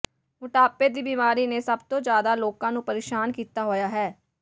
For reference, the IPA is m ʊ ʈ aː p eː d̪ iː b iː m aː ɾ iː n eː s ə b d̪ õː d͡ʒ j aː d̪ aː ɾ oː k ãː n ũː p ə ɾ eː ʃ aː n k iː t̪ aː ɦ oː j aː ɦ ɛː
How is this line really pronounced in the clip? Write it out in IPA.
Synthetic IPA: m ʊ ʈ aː p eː d̪ iː b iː m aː ɾ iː n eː s ə b t̪ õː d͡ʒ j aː d̪ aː l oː k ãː n ũː p ə ɾ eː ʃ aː n k iː t̪ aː ɦ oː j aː ɦ ɛː